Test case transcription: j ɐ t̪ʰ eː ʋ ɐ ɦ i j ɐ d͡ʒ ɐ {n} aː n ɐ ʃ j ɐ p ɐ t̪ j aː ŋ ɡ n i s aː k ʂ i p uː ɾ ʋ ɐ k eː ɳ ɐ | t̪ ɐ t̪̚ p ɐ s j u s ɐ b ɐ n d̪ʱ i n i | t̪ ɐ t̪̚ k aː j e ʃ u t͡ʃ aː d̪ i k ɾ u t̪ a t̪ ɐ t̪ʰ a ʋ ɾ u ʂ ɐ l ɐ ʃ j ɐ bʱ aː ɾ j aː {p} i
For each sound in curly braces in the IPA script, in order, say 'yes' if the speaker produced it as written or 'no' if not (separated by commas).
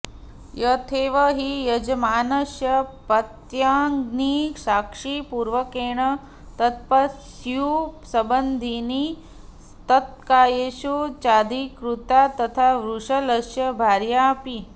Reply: no, yes